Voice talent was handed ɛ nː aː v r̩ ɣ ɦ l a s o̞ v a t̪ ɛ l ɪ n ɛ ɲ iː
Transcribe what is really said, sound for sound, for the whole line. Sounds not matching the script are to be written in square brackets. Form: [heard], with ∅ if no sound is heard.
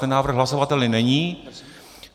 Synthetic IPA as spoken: ɛ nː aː v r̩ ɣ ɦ l a s o̞ v a t̪ ɛ l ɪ n ɛ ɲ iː